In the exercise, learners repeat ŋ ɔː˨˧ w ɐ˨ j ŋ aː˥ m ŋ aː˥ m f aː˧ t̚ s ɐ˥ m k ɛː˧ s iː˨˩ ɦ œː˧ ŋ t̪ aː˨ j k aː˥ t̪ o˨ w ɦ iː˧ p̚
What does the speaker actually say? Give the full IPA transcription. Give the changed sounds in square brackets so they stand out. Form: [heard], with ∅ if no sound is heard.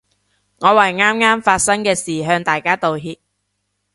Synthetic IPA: ŋ ɔː˨˧ w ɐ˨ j ŋ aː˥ m ŋ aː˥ m f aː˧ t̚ s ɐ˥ [ŋ] k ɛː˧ s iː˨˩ ɦ œː˧ ŋ t̪ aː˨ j k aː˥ t̪ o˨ w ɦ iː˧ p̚